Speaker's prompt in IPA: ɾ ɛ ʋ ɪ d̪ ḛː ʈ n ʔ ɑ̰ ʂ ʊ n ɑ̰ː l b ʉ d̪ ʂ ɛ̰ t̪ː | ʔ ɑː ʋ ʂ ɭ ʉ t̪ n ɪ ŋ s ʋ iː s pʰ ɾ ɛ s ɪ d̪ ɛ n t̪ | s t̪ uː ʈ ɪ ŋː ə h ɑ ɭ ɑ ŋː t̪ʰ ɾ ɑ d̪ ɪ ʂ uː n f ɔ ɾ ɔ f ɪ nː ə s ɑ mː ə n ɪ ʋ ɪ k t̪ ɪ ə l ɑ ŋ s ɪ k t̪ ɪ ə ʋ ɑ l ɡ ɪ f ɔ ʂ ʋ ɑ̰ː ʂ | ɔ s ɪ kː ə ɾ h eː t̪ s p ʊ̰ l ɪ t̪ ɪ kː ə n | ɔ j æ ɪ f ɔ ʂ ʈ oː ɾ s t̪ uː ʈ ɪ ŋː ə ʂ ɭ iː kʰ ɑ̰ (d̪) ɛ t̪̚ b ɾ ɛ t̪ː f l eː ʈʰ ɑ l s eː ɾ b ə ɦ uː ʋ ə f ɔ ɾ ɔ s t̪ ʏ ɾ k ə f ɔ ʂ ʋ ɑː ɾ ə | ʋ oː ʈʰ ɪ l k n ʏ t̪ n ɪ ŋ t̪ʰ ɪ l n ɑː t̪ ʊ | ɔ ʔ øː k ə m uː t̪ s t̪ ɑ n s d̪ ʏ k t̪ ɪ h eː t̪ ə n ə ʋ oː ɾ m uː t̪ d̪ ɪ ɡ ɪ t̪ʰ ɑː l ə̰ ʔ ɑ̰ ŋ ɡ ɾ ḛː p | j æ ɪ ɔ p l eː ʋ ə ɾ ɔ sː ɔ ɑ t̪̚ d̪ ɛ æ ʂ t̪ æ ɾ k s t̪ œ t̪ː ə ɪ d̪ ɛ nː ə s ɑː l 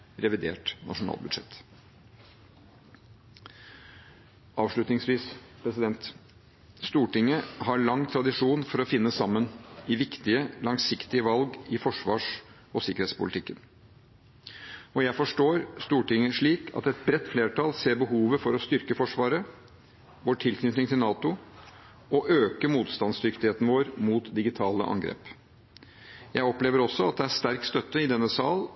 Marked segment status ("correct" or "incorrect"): incorrect